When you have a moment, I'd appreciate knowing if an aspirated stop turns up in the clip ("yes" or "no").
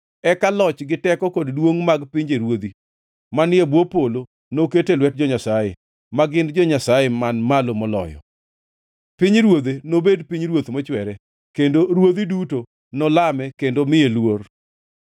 no